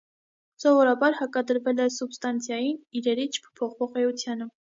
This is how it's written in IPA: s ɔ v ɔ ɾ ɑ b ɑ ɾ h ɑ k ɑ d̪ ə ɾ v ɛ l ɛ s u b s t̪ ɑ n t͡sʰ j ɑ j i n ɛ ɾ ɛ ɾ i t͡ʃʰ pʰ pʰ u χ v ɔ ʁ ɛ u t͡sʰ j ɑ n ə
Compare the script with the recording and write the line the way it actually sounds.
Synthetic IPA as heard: s ɔ v ɔ ɾ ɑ b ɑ ɾ h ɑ k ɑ d̪ ə ɾ v ɛ l ɛ s u b s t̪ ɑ n t͡sʰ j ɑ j i n i ɾ ɛ ɾ i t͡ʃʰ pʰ pʰ ɔ χ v ɔ ʁ ɛ u t͡sʰ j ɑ n ə

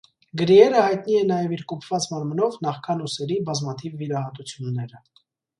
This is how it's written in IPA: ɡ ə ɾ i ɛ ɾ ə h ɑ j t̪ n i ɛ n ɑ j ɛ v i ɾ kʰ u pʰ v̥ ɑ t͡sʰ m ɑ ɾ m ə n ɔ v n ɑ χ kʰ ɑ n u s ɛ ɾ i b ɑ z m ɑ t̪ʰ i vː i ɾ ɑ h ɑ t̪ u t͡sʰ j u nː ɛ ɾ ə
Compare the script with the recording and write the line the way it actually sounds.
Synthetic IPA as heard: ɡ ə ɾ i ɛ ɾ ə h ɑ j t̪ n i ɛ n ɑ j ɛ v i ɾ k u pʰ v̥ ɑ t͡s m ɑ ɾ m ə n ɔ v n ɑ χ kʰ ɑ n u s ɛ ɾ i b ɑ z m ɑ t̪ʰ i vː i ɾ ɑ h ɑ t̪ u t͡sʰ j u nː ɛ ɾ ə

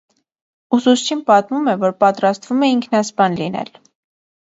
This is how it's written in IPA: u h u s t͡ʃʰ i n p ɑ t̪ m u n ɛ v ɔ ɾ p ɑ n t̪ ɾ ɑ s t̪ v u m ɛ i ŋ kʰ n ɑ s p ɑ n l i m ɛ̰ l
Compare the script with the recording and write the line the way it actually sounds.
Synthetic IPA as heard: u s u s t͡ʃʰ i n p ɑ t̪ m u m ɛ v ɔ ɾ p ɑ t̪ ɾ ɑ s t̪ v u m ɛ i ŋ kʰ n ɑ s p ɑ n l i n ɛ̰ l

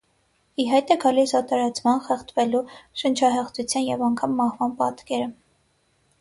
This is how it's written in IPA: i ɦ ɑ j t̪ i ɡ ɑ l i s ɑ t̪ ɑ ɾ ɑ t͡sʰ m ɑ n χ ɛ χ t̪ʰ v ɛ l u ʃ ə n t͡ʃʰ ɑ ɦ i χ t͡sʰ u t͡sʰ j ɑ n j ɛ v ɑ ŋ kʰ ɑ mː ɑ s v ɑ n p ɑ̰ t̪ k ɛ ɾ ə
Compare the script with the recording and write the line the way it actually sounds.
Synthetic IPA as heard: i ɦ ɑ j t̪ ɛ ɡ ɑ l i s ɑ t̪ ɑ ɾ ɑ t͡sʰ m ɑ n χ ɛ χ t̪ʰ v ɛ l u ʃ ə n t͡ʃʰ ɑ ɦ ɛ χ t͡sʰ u t͡sʰ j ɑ n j ɛ v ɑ ŋ kʰ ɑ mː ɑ h v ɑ n p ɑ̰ t̪ k ɛ ɾ ə

